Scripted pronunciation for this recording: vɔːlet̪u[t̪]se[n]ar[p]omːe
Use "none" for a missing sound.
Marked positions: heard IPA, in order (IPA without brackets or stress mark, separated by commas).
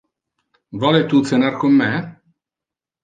t̪, n, k